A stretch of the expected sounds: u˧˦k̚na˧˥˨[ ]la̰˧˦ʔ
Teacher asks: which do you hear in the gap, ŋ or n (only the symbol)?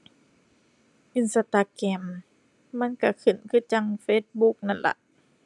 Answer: n